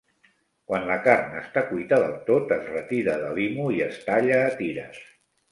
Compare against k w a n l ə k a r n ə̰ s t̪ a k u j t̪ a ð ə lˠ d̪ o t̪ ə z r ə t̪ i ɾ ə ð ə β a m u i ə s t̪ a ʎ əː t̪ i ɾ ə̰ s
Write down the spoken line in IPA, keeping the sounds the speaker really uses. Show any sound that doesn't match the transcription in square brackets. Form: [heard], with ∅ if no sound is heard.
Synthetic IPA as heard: k w a n l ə k a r n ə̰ s t̪ a k u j t̪ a ð ə lˠ [t̪] o t̪ ə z r ə t̪ i ɾ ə ð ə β [i] m u i ə s t̪ a ʎ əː t̪ i ɾ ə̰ s